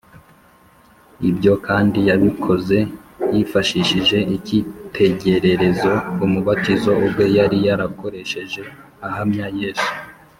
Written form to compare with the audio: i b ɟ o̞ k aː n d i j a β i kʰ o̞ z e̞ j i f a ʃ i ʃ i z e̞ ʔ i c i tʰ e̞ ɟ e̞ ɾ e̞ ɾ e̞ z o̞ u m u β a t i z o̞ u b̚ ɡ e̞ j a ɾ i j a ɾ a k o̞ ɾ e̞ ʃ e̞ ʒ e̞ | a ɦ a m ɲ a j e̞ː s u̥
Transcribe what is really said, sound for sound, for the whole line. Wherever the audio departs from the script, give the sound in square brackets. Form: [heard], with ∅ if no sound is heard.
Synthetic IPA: i b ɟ o̞ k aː n d i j a β i kʰ o̞ z e̞ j i f a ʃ i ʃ i [ʒ] e̞ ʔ i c i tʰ e̞ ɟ e̞ ɾ e̞ ɾ e̞ z o̞ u m u β a t i z o̞ u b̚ ɡ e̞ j a ɾ i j a ɾ a k o̞ ɾ e̞ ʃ e̞ ʒ e̞ | a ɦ a m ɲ a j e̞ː s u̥